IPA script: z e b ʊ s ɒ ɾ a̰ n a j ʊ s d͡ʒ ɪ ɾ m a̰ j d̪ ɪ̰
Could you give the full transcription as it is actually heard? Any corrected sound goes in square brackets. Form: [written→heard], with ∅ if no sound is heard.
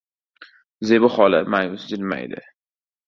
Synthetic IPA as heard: z e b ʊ [s→χ] ɒ [ɾ→l] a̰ [n→m] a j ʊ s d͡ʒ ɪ [ɾ→l] m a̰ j d̪ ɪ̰